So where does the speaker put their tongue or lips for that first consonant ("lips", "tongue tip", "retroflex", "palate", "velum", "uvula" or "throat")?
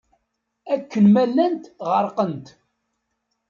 velum